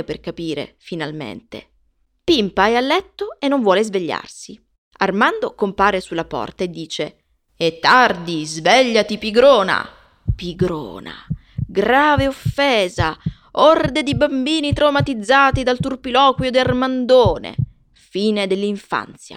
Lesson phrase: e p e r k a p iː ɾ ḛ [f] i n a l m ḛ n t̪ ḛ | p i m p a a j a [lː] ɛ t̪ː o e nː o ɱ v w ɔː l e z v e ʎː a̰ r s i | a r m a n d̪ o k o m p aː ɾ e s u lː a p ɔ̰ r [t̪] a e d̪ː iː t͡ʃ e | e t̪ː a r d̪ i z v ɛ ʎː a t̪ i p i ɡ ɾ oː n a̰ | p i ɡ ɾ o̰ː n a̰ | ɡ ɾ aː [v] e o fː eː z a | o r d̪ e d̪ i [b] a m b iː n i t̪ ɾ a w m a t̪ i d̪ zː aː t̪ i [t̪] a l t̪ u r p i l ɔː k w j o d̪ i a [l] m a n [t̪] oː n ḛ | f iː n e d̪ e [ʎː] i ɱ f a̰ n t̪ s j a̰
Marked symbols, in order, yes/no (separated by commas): yes, yes, yes, yes, yes, no, no, no, no